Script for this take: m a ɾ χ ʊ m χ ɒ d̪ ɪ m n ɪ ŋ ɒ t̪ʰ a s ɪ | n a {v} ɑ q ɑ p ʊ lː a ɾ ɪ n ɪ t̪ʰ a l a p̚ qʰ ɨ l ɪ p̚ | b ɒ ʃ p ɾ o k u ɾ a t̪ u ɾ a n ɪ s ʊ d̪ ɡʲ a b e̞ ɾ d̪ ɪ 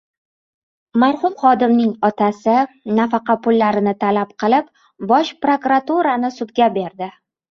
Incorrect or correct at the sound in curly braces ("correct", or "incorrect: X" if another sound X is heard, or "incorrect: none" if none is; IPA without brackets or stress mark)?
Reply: incorrect: f